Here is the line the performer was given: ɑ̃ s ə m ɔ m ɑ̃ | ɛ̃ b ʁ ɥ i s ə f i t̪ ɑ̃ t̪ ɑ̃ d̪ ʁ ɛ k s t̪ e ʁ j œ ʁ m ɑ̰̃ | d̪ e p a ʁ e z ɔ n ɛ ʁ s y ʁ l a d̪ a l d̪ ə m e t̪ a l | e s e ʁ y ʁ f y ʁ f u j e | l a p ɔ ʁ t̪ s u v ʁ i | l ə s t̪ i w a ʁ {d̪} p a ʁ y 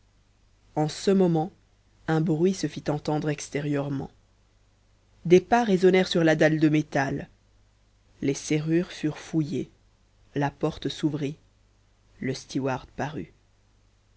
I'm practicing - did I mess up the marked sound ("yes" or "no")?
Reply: no